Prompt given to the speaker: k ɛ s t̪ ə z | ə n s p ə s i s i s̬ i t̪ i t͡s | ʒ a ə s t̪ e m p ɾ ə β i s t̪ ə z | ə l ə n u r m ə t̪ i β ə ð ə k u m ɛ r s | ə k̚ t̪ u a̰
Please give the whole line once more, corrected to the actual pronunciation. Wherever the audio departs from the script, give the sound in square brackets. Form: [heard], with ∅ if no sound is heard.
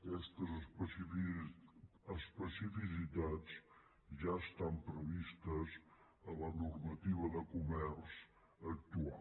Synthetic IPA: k ɛ s t̪ ə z | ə [∅] s p ə s i [f] i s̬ i t̪ [a] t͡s | ʒ a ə s t̪ [a] m p ɾ ə β i s t̪ ə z | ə l ə n u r m ə t̪ i β ə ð ə k u m ɛ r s | ə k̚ t̪ u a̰